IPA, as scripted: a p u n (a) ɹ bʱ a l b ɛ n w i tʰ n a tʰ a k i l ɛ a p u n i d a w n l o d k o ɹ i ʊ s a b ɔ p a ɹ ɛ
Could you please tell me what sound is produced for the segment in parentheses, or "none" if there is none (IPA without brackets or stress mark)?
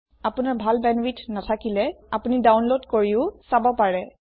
a